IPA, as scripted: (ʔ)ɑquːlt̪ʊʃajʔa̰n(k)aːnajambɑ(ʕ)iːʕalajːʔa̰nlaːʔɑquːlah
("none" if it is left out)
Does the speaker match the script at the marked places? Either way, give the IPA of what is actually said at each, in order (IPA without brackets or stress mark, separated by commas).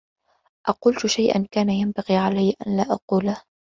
ʔ, k, ɣ